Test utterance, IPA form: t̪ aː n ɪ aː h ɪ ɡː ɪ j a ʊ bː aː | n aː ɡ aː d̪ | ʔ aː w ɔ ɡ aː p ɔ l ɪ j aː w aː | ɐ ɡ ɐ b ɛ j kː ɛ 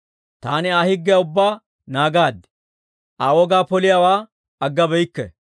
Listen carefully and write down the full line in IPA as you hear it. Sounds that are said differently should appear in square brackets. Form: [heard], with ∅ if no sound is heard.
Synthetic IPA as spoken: t̪ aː n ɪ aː h ɪ ɡː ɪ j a ʊ bː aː | n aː ɡ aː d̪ | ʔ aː w ɔ ɡ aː p ɔ l ɪ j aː w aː | ɐ [ɡː] ɐ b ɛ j kː ɛ